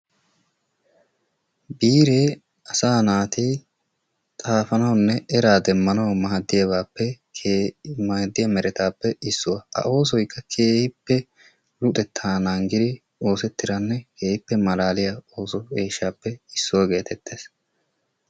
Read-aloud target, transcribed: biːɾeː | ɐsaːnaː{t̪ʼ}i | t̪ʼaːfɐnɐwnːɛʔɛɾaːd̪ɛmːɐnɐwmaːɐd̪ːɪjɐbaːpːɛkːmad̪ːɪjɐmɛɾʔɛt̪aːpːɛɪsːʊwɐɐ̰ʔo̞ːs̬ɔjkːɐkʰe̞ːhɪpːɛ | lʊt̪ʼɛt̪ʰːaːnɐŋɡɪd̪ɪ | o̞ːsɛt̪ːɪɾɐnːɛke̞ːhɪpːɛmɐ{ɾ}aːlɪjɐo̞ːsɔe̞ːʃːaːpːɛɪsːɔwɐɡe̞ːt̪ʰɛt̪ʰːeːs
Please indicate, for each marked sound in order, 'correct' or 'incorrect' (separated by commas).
incorrect, incorrect